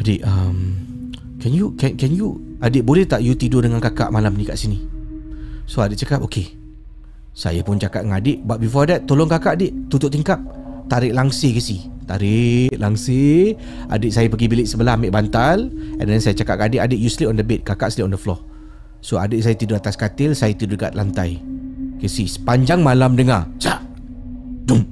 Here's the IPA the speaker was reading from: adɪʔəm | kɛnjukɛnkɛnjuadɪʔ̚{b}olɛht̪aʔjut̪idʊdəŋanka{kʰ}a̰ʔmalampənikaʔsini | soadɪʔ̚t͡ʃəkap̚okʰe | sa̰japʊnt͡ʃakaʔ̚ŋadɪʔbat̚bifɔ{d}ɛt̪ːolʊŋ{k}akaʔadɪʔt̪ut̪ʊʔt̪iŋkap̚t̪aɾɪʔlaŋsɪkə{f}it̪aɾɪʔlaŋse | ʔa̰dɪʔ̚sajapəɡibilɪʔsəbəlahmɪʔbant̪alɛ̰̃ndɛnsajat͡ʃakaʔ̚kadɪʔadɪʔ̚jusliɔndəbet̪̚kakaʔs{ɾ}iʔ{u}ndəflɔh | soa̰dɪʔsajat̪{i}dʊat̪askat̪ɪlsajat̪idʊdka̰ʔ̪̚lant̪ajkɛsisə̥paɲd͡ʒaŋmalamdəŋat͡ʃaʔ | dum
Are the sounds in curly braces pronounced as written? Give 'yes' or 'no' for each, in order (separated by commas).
yes, no, yes, yes, no, no, no, yes